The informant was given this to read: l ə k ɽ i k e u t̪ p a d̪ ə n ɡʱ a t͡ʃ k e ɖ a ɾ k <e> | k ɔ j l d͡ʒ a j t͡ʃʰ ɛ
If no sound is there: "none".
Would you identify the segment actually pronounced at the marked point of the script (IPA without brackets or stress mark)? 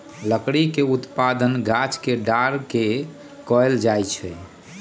e